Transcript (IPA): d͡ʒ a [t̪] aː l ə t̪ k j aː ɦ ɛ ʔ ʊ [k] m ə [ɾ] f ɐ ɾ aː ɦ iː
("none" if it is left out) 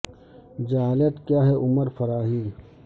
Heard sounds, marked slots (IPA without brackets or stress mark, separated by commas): none, none, ɾ